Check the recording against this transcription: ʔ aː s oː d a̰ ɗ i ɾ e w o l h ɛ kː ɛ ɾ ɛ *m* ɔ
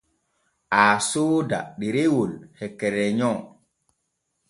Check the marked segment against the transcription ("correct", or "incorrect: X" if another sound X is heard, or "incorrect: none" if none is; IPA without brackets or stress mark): incorrect: ɲ